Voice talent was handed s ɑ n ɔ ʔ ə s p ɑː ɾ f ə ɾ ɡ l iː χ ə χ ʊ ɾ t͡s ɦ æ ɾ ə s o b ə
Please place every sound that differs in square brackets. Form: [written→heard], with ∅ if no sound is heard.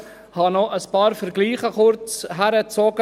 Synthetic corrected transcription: [s→h] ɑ n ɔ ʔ ə s p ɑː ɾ f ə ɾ ɡ l iː χ ə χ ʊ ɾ t͡s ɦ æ ɾ ə [s→t͡s] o [b→ɡ] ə